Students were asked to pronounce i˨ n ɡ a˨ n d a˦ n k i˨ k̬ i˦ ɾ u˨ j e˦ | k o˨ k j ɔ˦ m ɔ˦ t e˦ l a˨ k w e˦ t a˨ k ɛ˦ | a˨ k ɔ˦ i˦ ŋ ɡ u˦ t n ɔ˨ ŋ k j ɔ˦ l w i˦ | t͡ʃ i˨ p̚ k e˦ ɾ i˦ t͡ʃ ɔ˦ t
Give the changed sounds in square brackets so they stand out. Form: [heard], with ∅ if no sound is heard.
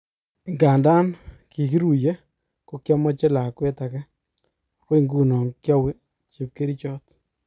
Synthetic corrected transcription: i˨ [ŋ] ɡ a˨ n d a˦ n k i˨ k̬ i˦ ɾ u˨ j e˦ | k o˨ k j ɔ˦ m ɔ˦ [t͡ʃ] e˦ l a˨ k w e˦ t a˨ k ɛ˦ | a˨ k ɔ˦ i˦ ŋ ɡ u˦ [∅] n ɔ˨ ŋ k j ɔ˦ [∅] w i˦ | t͡ʃ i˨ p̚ k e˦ ɾ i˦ t͡ʃ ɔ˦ t